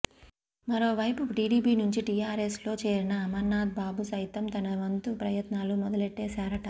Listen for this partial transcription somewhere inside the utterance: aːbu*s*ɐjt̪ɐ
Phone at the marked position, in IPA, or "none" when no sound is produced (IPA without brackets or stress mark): s